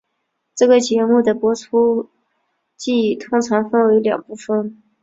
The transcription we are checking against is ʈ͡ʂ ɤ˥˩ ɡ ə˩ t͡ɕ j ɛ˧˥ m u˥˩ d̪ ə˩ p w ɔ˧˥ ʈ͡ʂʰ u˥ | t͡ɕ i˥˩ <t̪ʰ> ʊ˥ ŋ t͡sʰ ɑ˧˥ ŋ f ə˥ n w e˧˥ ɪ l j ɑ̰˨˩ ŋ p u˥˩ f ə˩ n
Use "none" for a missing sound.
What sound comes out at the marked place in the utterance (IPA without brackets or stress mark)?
t̪ʰ